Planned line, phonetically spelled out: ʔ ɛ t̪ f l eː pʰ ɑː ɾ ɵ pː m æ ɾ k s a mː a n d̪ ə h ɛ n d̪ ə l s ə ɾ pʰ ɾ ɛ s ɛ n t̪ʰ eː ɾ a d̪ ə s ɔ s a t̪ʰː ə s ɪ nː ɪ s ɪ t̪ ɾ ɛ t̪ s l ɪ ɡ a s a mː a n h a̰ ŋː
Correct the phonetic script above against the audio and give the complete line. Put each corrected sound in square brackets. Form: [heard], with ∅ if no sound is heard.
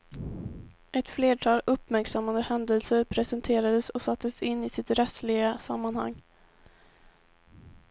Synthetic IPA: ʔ ɛ t̪ f l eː [ʈʰ] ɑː [l] ɵ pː m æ ɾ k s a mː a n d̪ ə h ɛ n d̪ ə l s ə ɾ pʰ ɾ ɛ s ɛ n t̪ʰ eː ɾ a d̪ ə s ɔ s a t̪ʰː ə s ɪ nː ɪ s ɪ t̪ ɾ ɛ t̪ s l ɪ ɡ a s a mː a n h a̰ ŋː